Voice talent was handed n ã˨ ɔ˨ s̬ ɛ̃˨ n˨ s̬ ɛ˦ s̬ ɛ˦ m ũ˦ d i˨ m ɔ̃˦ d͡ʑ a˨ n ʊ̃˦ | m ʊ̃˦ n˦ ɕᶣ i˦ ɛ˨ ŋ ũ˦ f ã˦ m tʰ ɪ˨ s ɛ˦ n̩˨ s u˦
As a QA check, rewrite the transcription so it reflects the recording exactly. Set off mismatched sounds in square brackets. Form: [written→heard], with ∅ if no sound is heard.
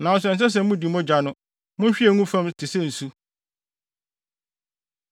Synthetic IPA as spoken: n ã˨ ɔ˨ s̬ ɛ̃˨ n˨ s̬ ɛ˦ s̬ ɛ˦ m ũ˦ d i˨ m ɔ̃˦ d͡ʑ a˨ n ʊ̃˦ | m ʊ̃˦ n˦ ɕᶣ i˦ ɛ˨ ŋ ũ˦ f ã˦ m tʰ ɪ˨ s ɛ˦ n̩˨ s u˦